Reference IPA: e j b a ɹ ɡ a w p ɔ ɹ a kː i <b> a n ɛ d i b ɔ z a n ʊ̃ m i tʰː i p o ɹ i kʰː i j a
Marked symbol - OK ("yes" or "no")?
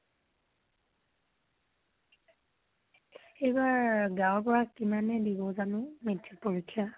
no